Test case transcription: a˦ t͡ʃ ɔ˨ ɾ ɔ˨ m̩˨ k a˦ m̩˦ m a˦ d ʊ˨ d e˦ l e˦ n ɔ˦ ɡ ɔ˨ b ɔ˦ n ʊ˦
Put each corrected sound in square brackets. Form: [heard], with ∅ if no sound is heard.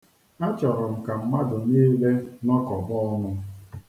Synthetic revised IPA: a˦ t͡ʃ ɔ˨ ɾ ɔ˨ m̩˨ k [a˨] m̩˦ m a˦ d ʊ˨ [n] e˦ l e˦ n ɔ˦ [k] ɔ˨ b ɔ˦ n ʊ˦